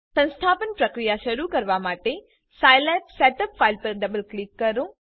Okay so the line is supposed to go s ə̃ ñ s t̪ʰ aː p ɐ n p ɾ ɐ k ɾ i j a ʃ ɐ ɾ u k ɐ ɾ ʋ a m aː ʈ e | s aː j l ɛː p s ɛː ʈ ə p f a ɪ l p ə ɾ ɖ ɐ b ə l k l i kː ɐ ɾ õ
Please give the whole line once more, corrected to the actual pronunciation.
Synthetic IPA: s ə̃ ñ s t̪ʰ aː p ə n p ɾ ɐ k ɾ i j a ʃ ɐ ɾ u k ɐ ɾ ʋ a m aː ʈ e | s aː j l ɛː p s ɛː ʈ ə p f a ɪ l p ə ɾ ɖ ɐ b ə l k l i kː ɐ ɾ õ

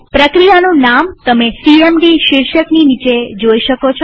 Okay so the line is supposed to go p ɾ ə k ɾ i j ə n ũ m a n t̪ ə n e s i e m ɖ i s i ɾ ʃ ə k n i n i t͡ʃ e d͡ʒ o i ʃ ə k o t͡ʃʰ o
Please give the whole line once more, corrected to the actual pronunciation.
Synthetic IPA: p ɾ ə k ɾ i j a n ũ n a m t̪ ə m e s i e m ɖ i ʃ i ɾ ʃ ə k n i n i t͡ʃ e d͡ʒ o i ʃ ə k o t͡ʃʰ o

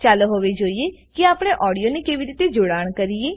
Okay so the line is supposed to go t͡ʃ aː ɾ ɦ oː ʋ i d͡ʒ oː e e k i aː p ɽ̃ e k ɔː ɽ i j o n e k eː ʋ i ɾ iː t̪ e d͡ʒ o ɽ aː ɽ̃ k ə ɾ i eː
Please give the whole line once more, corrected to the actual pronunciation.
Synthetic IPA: t͡ʃ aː l ɦ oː ʋ e d͡ʒ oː i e k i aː p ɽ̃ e ʔ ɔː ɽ i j o n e k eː ʋ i ɾ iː t̪ e d͡ʒ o ɽ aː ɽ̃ k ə ɾ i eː

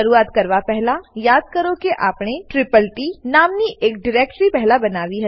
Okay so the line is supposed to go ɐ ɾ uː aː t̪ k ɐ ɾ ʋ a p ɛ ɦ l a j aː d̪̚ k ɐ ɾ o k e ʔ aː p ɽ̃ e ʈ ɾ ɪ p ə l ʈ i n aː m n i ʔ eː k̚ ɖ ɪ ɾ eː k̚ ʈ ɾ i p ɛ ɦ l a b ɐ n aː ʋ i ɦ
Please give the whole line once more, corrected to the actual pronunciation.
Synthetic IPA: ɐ ɾ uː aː t̪ k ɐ ɾ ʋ a p ɛ ɦ l a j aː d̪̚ k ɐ ɾ o k e ʔ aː p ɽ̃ e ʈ ɾ ɪ p ə l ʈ i n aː m n i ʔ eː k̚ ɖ ɪ ɾ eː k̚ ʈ ɾ i p ɛ ɦ l a b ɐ n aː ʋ i ɦ

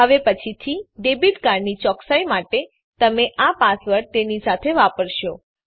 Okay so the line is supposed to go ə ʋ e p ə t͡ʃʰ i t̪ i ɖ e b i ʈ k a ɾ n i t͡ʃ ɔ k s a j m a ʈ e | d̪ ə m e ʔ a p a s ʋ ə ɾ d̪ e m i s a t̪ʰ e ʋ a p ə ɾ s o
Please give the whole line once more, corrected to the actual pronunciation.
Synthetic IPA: ə ʋ e p ə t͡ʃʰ i t̪ʰ i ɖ e b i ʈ k a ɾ n i t͡ʃ ɔ k s a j m a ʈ e | t̪ ə m e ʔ a p a s ʋ ə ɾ t̪ e n i s a t̪ʰ e ʋ a p ə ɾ ʃ o

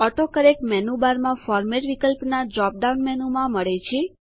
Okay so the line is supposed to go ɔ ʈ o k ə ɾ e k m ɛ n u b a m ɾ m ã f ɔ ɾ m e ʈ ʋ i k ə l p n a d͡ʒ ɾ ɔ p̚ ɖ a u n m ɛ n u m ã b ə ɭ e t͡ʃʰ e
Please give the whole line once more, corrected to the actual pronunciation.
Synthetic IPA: ɔ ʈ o k ə ɾ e k m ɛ n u b a ɾ m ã f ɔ ɾ m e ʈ ʋ i k ə l p n a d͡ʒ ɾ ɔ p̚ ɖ a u n m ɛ n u m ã m ə ɭ e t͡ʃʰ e

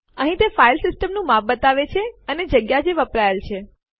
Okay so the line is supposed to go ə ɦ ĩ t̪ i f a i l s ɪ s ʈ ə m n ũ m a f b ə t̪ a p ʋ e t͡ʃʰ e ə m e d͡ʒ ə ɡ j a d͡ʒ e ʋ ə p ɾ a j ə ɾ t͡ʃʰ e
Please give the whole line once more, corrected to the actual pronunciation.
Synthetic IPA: ə ɦ ĩ t̪ e f a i l s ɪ s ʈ ə m n ũ m a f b ə t̪ a ʋ e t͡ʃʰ e ə n e d͡ʒ ə ɡ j a d͡ʒ e ʋ ə p ɾ a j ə l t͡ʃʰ e

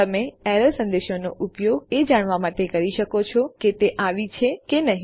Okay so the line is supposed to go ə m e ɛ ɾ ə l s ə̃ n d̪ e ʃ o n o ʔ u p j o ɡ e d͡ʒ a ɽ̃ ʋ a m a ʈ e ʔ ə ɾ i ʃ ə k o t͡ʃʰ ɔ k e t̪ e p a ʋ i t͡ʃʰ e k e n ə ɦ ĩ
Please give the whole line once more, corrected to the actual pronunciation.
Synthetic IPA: ə m e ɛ ɾ ə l s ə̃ n d̪ e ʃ o n o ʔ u p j o ɡ e d͡ʒ a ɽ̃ ʋ a m a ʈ e k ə ɾ i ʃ ə k o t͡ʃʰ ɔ k e t̪ e ʔ a ʋ i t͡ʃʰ e k e n ə ɦ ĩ

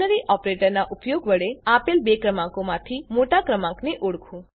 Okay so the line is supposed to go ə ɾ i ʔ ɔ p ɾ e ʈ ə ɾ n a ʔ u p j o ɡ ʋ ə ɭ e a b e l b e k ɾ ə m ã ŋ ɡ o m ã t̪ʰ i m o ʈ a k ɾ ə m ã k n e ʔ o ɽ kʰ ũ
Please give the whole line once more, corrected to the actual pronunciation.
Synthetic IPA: ə ɾ i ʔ ɔ p ɾ e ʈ ə ɾ n a ʔ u p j o ɡ ʋ ə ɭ e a p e l b e k ɾ ə m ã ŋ k o m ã t̪ʰ i m o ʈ a k ɾ ə m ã k n e ʔ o ɽ kʰ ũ

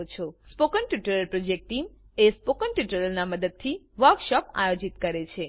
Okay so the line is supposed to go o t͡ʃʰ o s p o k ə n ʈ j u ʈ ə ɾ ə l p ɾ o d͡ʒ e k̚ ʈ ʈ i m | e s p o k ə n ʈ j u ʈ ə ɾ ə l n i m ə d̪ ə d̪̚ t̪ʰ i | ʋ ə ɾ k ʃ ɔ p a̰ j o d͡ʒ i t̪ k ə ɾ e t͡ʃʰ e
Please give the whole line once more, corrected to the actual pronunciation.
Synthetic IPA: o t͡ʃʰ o s p o k ə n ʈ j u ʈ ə ɾ ə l p ɾ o d͡ʒ e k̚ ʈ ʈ i m | e s p o k ə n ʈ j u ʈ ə ɾ ə l n a m ə d̪ ə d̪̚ t̪ʰ i | ʋ ə ɾ k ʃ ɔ p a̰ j o d͡ʒ i t̪ k ə ɾ e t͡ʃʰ e

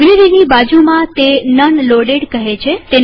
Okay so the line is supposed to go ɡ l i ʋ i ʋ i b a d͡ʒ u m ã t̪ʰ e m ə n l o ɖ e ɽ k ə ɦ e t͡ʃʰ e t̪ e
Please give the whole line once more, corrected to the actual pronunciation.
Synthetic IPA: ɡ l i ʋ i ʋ i b a d͡ʒ u m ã t̪ e n ə n l o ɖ e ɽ k ə ɦ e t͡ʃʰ e t̪ e

